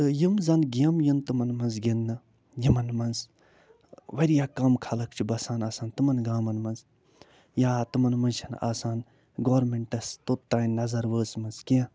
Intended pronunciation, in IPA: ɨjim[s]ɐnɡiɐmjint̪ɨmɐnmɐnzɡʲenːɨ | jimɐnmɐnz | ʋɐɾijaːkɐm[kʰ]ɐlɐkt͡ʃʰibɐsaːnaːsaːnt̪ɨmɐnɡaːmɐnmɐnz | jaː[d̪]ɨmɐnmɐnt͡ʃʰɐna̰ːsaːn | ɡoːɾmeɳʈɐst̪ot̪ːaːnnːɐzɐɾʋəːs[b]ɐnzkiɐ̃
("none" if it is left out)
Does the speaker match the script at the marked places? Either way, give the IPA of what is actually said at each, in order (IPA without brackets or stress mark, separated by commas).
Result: z, kʰ, t̪, m